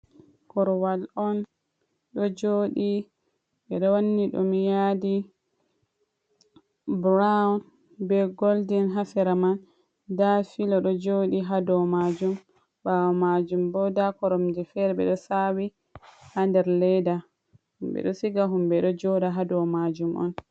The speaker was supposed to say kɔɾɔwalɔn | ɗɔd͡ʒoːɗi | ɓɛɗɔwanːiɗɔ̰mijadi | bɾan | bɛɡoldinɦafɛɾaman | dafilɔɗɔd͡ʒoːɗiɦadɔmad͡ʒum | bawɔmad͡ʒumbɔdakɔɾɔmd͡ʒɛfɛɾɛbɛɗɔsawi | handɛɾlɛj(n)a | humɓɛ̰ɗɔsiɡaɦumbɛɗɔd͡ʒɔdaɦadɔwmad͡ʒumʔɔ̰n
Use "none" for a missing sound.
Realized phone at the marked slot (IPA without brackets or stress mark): d